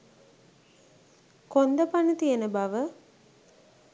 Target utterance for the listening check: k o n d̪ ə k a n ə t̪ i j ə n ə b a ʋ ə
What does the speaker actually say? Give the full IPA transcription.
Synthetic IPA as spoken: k o n d̪ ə p a n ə t̪ i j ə n ə b a ʋ ə